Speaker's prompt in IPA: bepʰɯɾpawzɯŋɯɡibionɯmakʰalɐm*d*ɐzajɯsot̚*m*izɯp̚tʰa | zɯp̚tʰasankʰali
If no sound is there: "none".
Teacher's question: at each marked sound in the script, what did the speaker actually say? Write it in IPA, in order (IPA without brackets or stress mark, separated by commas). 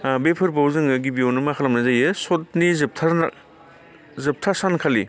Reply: n, n